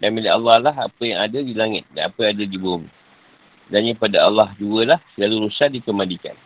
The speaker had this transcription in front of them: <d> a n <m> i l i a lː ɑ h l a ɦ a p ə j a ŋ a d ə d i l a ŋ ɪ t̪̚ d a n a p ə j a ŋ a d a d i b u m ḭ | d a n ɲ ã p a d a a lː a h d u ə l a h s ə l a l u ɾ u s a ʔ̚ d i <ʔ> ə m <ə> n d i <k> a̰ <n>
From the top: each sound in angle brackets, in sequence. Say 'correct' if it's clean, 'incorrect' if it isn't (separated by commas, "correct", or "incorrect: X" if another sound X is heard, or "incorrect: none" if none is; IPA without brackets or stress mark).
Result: correct, correct, incorrect: k, incorrect: a, correct, correct